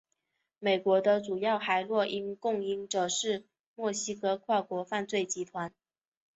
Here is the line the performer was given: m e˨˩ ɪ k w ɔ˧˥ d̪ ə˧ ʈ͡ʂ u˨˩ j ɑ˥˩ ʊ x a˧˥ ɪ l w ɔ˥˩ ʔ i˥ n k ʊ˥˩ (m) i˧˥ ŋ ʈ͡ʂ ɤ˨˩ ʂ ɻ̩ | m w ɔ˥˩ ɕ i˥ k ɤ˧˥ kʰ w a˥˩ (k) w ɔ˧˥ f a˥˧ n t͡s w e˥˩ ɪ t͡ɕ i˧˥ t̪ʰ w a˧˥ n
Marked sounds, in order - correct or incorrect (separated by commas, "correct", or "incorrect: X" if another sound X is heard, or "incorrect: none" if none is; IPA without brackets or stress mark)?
incorrect: ŋ, correct